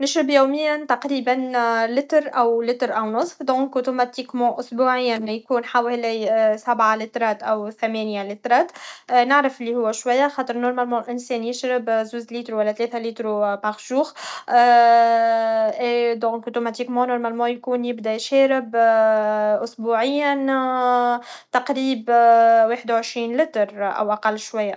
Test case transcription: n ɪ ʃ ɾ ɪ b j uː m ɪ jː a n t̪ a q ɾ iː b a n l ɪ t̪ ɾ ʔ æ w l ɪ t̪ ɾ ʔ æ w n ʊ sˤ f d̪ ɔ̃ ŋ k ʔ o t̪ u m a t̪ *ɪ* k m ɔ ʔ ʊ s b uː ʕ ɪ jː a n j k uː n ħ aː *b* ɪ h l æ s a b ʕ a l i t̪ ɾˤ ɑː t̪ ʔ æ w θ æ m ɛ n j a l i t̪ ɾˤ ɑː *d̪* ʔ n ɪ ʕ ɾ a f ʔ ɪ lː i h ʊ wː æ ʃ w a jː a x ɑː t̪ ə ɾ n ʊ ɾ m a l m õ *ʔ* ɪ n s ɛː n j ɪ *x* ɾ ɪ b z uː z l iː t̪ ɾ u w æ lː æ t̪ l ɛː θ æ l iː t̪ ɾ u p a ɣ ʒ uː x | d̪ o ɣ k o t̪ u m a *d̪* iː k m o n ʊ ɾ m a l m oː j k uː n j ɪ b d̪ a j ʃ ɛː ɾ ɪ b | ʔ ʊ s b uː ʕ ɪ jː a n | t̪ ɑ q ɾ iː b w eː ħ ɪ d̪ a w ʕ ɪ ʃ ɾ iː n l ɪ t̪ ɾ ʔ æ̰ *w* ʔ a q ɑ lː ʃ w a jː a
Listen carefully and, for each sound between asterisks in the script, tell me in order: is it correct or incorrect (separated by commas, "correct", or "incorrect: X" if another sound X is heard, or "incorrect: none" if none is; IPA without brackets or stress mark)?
incorrect: i, incorrect: w, incorrect: t̪, correct, incorrect: ʃ, incorrect: t̪, correct